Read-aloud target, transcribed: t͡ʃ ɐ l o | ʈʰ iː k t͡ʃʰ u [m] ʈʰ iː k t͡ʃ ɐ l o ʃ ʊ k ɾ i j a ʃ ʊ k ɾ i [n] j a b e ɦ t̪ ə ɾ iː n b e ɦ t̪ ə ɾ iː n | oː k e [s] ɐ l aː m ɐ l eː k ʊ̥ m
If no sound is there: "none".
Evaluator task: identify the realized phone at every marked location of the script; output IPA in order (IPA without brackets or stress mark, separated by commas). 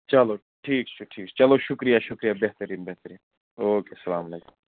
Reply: none, none, s